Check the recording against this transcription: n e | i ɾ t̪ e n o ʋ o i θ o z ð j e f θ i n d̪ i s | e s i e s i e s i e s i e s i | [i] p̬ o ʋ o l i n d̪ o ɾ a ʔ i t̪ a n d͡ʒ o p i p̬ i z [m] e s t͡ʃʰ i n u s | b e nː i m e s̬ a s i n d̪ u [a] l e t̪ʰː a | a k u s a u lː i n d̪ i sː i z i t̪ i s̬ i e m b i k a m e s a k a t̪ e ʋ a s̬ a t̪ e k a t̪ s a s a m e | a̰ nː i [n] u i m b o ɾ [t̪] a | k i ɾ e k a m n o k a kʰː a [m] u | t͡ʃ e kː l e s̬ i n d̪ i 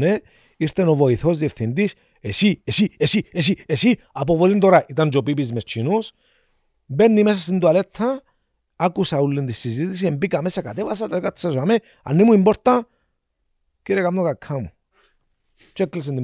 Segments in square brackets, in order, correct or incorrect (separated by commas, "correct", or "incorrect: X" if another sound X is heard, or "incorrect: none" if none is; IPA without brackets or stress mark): incorrect: a, correct, correct, incorrect: m, correct, correct